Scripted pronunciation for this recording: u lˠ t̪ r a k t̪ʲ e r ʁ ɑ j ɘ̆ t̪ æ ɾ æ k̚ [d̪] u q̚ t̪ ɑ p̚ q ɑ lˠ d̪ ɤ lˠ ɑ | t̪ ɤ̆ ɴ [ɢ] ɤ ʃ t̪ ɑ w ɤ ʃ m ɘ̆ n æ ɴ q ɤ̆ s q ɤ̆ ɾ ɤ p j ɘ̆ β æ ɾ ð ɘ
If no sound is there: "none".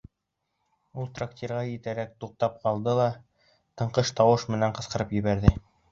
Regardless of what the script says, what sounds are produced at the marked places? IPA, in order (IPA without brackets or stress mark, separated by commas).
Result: t̪, q